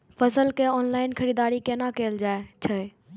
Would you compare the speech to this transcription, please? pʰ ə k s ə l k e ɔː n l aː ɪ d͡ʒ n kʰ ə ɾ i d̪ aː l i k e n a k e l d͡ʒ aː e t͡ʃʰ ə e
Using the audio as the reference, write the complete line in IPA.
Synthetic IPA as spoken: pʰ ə s ə l k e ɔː n l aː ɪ n kʰ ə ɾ i d̪ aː ɾ i k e n a k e l d͡ʒ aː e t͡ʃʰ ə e